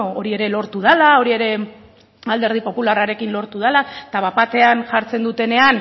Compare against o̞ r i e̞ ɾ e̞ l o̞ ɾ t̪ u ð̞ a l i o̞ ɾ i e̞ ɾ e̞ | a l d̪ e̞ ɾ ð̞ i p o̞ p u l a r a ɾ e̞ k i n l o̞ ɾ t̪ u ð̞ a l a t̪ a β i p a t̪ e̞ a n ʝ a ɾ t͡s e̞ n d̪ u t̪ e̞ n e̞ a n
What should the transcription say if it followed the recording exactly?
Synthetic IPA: o̞ ɾ i e̞ ɾ e̞ l o̞ ɾ t̪ u ð̞ a l a o̞ ɾ i e̞ ɾ e̞ | a l d̪ e̞ ɾ ð̞ i p o̞ p u l a r a ɾ e̞ k i n l o̞ ɾ t̪ u ð̞ a l a t̪ a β a p a t̪ e̞ a n ʝ a ɾ t͡s e̞ n d̪ u t̪ e̞ n e̞ a n